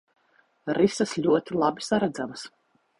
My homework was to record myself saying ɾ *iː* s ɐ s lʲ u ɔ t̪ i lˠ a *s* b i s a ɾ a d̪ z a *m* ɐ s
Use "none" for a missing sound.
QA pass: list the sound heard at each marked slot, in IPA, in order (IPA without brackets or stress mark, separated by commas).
i, none, m